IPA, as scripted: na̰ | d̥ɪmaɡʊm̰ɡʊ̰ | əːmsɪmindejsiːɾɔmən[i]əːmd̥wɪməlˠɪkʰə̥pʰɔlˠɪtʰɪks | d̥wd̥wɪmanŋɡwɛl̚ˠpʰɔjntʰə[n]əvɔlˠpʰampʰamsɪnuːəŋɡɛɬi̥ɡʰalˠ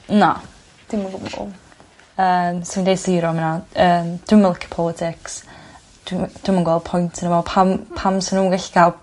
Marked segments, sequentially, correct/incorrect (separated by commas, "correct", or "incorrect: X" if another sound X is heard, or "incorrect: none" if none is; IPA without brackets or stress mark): incorrect: a, correct